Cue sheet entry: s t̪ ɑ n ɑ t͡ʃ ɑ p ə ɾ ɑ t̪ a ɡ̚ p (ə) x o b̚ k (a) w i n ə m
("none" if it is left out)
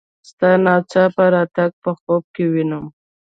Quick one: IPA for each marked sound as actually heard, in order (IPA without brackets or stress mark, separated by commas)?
ə, e